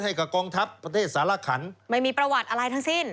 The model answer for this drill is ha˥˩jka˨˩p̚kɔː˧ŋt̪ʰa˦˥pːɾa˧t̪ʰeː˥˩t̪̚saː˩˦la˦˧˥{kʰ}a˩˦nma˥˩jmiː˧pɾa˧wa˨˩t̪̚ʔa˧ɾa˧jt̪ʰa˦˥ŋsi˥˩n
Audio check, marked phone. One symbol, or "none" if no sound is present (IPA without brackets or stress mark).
kʰ